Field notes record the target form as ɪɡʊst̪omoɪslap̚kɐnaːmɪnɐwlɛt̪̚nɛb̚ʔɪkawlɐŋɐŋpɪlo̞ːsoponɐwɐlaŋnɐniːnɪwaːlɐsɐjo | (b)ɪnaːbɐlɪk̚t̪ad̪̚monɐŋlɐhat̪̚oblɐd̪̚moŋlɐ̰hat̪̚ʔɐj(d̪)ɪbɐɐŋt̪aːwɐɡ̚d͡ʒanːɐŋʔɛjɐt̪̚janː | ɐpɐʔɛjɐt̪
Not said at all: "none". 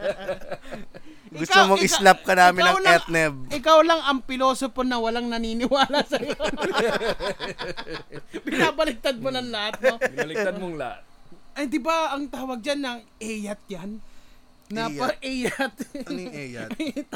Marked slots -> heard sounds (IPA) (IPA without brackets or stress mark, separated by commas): b, d̪